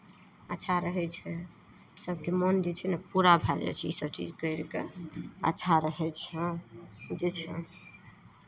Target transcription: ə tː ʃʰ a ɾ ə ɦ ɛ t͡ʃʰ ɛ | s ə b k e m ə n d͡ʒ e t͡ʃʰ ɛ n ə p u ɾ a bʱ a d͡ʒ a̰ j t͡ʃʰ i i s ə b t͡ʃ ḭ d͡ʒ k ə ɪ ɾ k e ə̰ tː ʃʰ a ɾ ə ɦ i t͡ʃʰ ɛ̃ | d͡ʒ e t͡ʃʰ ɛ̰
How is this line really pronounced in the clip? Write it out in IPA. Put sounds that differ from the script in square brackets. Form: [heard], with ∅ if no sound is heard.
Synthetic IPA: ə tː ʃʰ a ɾ ə ɦ ɛ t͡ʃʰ ɛ | s ə b k e m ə n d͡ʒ e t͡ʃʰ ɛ n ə p u ɾ a bʱ a d͡ʒ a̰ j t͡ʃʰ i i s ə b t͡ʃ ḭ d͡ʒ k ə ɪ ɾ k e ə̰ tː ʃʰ a ɾ ə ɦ [ɛ] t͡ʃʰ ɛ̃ | d͡ʒ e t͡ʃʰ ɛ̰